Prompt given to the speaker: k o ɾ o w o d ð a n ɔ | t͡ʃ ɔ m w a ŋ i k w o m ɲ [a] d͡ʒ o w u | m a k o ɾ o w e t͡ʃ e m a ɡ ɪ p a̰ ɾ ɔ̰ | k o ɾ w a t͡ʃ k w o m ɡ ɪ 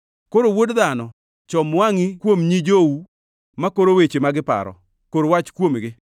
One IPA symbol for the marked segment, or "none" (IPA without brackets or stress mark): i